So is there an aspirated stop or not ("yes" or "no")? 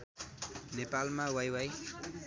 no